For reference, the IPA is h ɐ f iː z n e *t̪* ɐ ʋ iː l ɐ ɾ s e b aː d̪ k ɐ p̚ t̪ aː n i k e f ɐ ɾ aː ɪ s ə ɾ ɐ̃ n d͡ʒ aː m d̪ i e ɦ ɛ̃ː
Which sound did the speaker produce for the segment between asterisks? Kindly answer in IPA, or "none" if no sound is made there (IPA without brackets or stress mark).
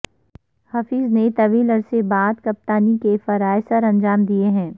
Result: t̪